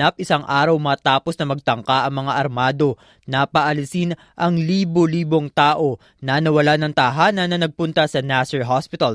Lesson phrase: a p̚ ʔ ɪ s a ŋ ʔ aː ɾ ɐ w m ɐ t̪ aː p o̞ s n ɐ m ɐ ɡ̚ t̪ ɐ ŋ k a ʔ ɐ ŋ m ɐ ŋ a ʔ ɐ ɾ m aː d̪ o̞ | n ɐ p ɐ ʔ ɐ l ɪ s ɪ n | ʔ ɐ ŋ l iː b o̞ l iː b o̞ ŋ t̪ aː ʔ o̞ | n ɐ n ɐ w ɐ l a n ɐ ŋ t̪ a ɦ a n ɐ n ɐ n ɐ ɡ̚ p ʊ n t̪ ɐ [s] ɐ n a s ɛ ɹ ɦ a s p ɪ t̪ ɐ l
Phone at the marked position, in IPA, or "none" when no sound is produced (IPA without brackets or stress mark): s